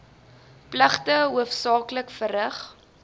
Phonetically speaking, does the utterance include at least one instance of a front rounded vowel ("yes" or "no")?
no